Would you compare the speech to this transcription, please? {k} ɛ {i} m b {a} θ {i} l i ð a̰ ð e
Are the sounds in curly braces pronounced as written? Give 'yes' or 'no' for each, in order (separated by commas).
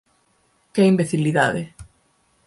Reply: yes, yes, no, yes